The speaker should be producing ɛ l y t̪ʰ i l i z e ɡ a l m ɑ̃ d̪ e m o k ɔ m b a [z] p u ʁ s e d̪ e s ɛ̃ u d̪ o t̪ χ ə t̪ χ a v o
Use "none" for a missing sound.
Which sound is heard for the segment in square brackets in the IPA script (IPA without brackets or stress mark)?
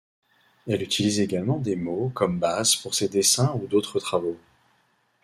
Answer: z